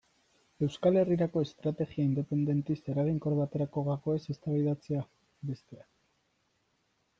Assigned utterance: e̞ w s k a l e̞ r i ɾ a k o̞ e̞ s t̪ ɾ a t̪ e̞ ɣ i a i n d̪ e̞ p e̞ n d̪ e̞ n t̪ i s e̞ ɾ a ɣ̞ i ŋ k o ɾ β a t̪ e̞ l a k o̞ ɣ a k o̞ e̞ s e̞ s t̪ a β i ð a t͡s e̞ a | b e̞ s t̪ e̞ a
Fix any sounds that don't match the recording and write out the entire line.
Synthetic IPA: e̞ w s k a l e̞ r i ɾ a k o̞ e̞ s t̪ ɾ a t̪ e̞ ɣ i a i n d̪ e̞ p e̞ n d̪ e̞ n t̪ i s e̞ ɾ a ɣ̞ i ŋ k o ɾ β a t̪ e̞ ɾ a k o̞ ɣ a k o̞ e̞ s e̞ s t̪ a β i ð a t͡s e̞ a | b e̞ s t̪ e̞ a

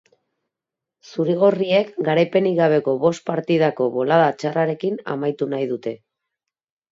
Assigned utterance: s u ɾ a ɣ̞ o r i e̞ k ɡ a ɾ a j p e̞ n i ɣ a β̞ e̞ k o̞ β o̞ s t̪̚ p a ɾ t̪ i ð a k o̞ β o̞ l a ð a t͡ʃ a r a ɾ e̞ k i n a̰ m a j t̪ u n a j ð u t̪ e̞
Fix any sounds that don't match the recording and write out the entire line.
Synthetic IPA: s u ɾ i ɣ̞ o r i e̞ k ɡ a ɾ a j p e̞ n i ɣ a β̞ e̞ k o̞ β o̞ s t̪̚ p a ɾ t̪ i ð a k o̞ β o̞ l a ð a t͡ʃ a r a ɾ e̞ k i n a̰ m a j t̪ u n a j ð u t̪ e̞

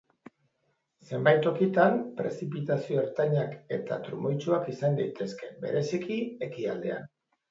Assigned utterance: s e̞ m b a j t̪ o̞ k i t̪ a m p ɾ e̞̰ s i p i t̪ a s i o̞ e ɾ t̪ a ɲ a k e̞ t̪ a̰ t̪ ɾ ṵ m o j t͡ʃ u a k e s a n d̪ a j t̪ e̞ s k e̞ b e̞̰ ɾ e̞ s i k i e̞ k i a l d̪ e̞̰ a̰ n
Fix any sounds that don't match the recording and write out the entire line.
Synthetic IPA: s e̞ m b a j t̪ o̞ k i t̪ a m p ɾ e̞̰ s i p i t̪ a s i o̞ e ɾ t̪ a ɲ a k e̞ t̪ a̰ t̪ ɾ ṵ m o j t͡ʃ u a k i s a n d̪ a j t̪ e̞ s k e̞ b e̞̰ ɾ e̞ s i k i e̞ k i a l d̪ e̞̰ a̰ n

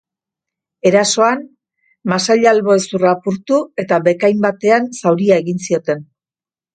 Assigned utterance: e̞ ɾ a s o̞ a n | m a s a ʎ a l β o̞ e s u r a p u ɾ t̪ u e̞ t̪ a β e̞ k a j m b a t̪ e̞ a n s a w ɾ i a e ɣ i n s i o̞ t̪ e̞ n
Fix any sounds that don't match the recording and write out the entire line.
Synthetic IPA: e̞ ɾ a s o̞ a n | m a s a ʎ a l β o̞ e s u r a p u ɾ t̪ u e̞ t̪ a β e̞ k a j m b a t̪ e̞ a n s a w ɾ i a e ɣ i n s i o̞ t̪ e̞ n

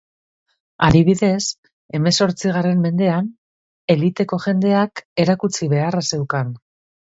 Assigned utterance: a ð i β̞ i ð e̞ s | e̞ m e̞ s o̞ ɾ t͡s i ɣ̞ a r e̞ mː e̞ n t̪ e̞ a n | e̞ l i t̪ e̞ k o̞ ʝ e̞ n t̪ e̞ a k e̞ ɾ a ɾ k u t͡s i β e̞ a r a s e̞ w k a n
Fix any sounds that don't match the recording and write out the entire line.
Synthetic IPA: a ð i β̞ i ð e̞ s | e̞ m e̞ s o̞ ɾ t͡s i ɣ̞ a r e̞ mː e̞ n d̪ e̞ a n | e̞ l i t̪ e̞ k o̞ ʝ e̞ n d̪ e̞ a k e̞ ɾ a k u t͡s i β e̞ a r a s e̞ w k a n

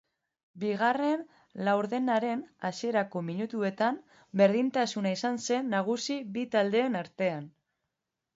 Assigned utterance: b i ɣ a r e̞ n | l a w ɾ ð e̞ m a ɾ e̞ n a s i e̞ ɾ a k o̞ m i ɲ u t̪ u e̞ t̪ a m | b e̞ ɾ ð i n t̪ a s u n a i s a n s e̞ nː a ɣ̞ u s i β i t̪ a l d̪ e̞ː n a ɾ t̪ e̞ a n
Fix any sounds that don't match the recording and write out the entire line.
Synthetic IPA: b i ɣ a r e̞ n | l a w ɾ ð e̞ n a ɾ e̞ n a s i e̞ ɾ a k o̞ m i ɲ u t̪ u e̞ t̪ a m | b e̞ ɾ ð i n t̪ a s u n a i s a n s e̞ nː a ɣ̞ u s i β i t̪ a l d̪ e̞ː n a ɾ t̪ e̞ a n

